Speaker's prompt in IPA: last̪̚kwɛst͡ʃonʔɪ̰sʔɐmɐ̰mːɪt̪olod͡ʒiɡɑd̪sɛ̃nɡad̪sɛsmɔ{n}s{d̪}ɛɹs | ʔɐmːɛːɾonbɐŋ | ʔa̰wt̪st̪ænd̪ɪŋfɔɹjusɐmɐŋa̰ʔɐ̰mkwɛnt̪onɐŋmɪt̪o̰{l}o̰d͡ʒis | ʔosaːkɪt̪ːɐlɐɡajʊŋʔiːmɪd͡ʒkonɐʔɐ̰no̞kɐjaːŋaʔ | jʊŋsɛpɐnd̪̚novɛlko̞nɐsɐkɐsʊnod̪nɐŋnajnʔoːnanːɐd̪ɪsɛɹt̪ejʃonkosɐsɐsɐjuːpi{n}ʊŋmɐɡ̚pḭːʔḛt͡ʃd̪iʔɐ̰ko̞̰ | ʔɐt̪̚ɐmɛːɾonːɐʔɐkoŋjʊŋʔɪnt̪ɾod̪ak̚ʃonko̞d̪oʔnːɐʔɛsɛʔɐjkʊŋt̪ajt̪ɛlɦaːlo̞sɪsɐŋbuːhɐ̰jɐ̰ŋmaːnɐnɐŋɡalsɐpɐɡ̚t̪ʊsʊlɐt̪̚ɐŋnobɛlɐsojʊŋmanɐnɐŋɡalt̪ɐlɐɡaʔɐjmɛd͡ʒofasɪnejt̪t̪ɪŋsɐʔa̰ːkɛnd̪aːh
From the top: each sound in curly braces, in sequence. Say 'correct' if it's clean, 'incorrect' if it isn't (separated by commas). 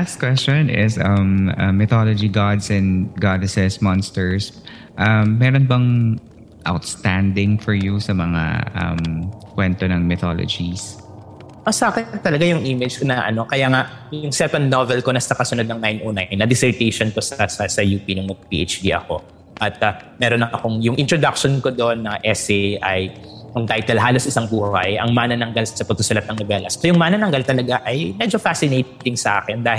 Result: correct, incorrect, correct, correct